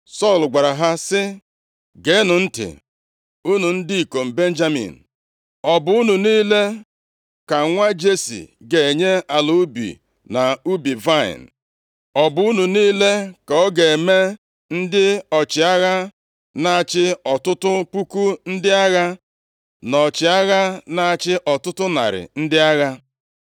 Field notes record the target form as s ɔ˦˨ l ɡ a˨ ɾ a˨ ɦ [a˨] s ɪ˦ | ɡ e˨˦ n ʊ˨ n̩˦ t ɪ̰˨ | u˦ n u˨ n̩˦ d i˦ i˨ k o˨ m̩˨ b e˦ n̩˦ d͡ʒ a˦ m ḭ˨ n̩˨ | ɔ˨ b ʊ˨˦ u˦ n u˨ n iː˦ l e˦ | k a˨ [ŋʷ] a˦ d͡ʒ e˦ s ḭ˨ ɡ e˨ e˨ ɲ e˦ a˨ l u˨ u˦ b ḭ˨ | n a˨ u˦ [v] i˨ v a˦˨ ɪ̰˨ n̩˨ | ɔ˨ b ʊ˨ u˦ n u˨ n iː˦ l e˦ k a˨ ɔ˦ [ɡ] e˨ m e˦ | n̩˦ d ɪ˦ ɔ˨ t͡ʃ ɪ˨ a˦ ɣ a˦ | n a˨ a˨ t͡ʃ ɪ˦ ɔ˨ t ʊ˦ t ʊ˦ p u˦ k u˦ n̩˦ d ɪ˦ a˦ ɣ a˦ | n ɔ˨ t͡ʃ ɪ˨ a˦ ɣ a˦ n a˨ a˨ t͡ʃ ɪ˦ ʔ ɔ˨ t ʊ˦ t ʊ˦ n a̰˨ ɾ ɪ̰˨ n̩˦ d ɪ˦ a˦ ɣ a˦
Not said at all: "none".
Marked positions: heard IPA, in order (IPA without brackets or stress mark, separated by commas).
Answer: a˦, ŋʷ, b, ɡ